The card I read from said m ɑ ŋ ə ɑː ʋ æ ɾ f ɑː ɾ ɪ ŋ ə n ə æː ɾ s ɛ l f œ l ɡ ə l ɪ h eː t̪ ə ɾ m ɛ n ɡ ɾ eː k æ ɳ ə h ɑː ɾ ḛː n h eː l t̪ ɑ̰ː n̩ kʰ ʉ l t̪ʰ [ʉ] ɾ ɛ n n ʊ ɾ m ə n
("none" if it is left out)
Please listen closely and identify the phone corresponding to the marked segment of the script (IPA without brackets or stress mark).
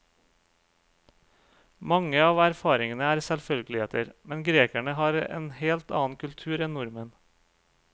ʉː